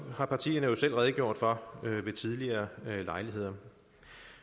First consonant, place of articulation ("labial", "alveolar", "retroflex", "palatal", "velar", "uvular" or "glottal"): glottal